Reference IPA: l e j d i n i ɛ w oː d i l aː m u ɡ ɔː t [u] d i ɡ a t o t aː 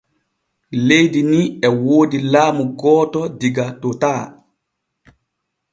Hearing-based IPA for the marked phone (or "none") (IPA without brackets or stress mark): ɔ